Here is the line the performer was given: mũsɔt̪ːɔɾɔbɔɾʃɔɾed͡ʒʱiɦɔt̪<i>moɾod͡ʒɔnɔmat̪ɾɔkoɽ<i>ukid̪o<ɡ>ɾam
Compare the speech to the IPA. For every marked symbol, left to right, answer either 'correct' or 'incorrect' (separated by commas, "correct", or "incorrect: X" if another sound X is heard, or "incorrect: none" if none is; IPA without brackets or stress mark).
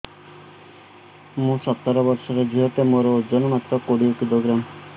incorrect: e, correct, correct